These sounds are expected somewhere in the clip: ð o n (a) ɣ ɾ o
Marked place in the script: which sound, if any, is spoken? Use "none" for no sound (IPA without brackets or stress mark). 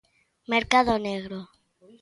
e